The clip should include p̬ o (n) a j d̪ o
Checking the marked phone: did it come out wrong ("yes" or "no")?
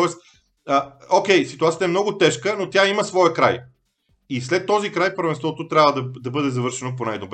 no